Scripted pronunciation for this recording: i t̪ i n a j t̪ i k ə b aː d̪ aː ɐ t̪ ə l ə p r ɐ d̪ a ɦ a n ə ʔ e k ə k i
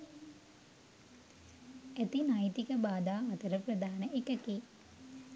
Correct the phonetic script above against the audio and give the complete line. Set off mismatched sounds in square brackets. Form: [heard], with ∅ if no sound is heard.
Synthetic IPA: [æ] t̪ i n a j t̪ i k ə b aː d̪ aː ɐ t̪ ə [ɾ] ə p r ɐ d̪ a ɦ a n ə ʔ e k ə k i